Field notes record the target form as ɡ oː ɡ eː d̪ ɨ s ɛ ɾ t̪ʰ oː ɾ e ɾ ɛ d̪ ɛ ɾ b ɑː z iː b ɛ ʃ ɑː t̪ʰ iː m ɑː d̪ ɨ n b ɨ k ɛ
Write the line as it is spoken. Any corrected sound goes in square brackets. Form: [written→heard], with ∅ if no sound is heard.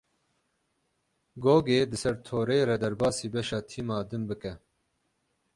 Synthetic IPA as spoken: ɡ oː ɡ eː d̪ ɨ s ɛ ɾ t̪ʰ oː ɾ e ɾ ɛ d̪ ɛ ɾ b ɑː [z→s] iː b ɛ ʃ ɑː t̪ʰ iː m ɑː d̪ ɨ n b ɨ k ɛ